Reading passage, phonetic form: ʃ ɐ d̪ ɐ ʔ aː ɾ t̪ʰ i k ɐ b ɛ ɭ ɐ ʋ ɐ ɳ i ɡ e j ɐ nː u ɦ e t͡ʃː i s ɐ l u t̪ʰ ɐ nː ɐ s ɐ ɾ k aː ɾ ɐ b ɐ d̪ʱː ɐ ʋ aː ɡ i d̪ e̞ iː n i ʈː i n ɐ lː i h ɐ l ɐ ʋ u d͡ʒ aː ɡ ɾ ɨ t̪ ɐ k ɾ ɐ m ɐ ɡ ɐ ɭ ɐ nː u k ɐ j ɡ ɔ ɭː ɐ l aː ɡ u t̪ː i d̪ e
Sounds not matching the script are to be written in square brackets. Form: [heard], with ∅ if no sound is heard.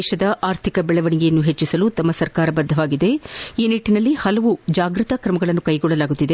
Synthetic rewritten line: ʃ ɐ d̪ ɐ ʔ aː ɾ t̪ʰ i k ɐ b ɛ ɭ ɐ ʋ ɐ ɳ i ɡ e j ɐ nː u ɦ e t͡ʃː i s ɐ l u [t̪] ɐ [mː] ɐ s ɐ ɾ k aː ɾ ɐ b ɐ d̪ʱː ɐ ʋ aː ɡ i d̪ e̞ iː n i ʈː i n ɐ lː i h ɐ l ɐ ʋ u d͡ʒ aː ɡ ɾ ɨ t̪ ɐ k ɾ ɐ m ɐ ɡ ɐ ɭ ɐ nː u k ɐ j ɡ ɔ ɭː ɐ l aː ɡ u t̪ː i d̪ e